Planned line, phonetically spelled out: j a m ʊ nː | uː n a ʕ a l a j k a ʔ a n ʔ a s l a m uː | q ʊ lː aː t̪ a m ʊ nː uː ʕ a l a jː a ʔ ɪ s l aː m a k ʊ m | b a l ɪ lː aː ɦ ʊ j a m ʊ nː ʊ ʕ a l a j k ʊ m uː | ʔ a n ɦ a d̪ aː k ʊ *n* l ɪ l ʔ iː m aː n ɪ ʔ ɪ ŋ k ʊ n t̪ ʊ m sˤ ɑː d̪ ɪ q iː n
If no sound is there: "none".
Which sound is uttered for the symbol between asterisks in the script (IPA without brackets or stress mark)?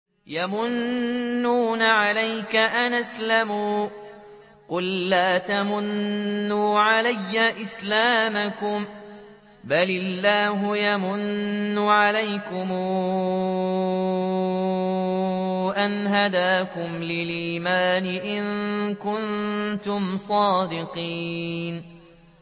m